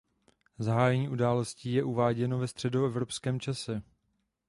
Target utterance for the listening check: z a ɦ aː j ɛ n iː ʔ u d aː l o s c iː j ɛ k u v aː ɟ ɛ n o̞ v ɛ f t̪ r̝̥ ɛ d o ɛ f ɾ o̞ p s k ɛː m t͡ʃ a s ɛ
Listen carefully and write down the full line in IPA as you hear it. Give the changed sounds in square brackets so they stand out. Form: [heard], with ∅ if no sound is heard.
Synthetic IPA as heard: z a ɦ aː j ɛ [ɲ] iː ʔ u d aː l o s c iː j ɛ [ʔ] u v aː ɟ ɛ n o̞ v ɛ [s] t̪ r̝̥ ɛ d o ɛ [v] ɾ o̞ p s k ɛː m t͡ʃ a s ɛ